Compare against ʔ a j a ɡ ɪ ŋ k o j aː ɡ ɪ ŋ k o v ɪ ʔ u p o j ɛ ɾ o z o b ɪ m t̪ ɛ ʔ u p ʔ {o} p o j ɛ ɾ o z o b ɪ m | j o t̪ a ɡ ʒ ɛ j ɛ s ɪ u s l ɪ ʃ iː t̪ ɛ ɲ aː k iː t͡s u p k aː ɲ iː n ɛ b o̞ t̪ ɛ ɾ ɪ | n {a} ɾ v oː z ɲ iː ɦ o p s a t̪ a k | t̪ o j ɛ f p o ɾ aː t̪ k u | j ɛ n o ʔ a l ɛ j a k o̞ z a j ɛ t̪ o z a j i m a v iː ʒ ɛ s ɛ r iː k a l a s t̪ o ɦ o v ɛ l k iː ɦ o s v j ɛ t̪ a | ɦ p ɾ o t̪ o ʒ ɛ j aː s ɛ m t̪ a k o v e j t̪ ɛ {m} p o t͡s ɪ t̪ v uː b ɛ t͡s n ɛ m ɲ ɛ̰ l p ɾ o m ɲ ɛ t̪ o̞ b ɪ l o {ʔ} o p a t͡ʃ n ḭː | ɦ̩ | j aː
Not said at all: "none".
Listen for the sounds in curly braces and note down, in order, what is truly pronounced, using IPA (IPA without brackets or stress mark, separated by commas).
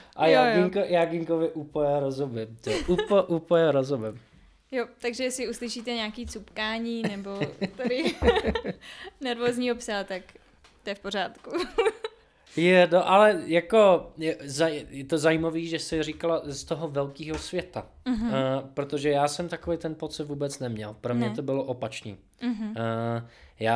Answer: u, ɛ, n, ʔ